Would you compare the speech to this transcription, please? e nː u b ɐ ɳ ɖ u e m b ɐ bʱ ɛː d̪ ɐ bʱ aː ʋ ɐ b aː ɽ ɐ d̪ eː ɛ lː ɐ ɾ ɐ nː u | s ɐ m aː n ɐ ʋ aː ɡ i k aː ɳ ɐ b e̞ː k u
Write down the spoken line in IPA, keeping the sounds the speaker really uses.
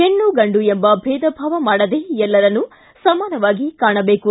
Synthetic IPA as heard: e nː u ɡ ɐ ɳ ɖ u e m b ɐ bʱ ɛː d̪ ɐ bʱ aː ʋ ɐ m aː ɽ ɐ d̪ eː ɛ lː ɐ ɾ ɐ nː u | s ɐ m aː n ɐ ʋ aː ɡ i k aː ɳ ɐ b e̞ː k u